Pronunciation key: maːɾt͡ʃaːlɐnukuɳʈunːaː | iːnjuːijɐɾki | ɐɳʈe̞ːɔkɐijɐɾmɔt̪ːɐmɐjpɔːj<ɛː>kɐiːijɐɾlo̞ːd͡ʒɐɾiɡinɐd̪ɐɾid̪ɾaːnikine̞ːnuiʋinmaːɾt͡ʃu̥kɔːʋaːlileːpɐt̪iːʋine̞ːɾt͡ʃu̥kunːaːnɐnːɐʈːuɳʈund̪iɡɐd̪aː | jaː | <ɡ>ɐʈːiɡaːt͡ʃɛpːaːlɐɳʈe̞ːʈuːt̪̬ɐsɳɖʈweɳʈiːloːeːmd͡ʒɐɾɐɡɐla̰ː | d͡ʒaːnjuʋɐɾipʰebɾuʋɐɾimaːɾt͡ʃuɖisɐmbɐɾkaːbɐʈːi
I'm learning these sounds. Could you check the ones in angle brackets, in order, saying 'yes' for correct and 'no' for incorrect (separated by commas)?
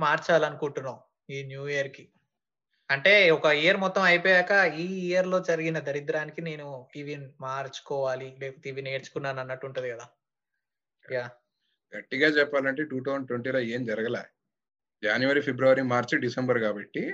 no, yes